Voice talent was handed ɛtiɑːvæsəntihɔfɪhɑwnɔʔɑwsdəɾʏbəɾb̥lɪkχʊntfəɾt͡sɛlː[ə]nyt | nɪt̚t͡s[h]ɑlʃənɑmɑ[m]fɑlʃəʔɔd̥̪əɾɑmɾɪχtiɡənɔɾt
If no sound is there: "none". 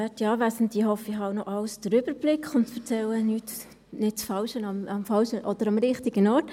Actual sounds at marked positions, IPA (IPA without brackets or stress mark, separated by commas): ə, f, m